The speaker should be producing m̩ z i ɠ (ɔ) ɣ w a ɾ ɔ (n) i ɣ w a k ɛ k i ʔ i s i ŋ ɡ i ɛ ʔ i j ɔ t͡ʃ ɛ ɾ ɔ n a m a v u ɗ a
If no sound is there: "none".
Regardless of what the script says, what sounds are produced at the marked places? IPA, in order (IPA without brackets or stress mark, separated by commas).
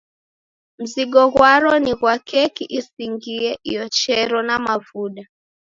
ɔ, n